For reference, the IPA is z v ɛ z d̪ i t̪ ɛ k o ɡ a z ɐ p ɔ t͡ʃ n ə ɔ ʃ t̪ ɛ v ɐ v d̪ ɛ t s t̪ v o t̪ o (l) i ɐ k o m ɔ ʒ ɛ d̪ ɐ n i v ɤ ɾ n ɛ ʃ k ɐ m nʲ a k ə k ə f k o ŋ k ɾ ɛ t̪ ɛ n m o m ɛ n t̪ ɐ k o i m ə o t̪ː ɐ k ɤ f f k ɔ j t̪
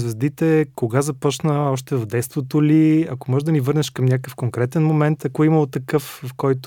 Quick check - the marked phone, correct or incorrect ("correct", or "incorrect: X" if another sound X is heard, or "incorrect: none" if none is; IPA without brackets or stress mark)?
correct